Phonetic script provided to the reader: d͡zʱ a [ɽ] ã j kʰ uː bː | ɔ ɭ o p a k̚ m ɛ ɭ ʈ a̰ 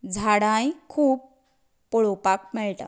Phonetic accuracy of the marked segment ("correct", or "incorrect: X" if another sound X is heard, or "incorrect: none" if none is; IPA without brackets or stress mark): correct